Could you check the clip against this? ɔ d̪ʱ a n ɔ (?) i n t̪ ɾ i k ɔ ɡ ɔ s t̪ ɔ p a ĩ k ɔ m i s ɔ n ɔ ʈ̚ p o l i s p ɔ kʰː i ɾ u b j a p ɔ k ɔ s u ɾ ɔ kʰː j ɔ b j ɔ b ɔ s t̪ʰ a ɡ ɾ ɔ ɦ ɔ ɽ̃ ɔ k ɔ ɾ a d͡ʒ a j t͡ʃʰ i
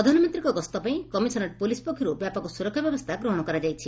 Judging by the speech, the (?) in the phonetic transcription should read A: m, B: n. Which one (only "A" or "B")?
A